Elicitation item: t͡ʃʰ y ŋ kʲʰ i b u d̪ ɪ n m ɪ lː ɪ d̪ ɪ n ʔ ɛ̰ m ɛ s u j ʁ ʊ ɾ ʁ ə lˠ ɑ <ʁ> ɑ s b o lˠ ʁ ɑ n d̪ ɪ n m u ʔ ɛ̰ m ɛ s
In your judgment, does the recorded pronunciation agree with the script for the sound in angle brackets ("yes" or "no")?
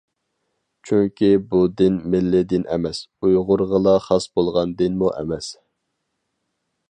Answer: no